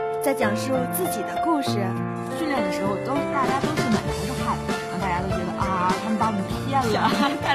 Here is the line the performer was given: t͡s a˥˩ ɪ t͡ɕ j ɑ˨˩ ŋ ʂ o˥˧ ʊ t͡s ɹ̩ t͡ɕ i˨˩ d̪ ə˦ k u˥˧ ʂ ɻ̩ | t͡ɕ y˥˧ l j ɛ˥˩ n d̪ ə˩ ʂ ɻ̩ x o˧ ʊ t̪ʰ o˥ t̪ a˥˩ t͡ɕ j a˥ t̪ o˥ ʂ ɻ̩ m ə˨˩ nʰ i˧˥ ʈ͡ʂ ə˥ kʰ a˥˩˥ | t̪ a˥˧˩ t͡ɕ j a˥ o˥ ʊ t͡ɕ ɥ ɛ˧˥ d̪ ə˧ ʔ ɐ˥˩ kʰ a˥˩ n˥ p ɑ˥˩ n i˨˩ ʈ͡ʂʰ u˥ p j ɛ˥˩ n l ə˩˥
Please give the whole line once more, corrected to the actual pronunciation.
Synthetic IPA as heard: t͡s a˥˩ ɪ t͡ɕ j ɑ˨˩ ŋ ʂ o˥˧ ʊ t͡s ɹ̩ t͡ɕ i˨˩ d̪ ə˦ k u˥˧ ʂ ɻ̩ | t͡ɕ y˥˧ l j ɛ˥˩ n d̪ ə˩ ʂ ɻ̩ x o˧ ʊ t̪ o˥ t̪ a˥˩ t͡ɕ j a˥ t̪ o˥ ʂ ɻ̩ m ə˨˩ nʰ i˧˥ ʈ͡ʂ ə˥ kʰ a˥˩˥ | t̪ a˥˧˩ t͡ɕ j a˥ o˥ ʊ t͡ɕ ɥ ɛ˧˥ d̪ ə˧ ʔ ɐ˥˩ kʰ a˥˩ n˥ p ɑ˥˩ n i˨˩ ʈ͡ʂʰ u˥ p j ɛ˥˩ n l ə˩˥